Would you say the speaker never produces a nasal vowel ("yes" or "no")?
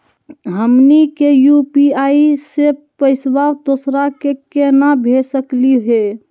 yes